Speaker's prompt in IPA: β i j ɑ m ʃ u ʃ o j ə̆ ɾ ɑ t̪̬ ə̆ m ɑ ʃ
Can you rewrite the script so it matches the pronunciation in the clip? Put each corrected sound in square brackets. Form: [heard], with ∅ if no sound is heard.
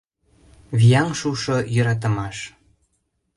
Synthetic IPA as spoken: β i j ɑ [ŋ] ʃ u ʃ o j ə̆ ɾ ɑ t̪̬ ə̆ m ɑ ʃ